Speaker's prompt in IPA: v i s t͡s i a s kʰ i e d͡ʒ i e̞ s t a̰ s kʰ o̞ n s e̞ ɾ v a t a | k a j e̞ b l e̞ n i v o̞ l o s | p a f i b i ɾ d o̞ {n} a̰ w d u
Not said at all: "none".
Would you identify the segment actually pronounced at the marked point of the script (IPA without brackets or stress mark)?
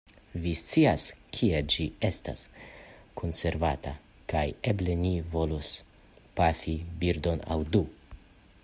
n